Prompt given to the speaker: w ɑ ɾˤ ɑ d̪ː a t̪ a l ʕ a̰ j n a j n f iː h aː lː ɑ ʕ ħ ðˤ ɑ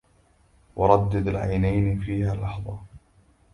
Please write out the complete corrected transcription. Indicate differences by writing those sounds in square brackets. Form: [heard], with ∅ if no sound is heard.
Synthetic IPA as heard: w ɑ ɾˤ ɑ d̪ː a [d̪] a l ʕ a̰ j n a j n f iː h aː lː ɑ [∅] ħ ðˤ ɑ